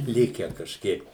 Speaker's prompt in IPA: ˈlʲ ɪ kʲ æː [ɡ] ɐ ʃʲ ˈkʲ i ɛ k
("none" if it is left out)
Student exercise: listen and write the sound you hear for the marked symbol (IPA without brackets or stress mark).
k